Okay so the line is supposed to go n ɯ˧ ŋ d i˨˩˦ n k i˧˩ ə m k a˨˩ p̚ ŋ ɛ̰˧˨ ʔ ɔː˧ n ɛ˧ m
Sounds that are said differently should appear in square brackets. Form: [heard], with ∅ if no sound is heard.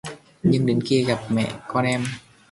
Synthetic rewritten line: [ɲ] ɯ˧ ŋ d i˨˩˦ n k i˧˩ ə [∅] k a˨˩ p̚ [m] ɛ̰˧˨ [k] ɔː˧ n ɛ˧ m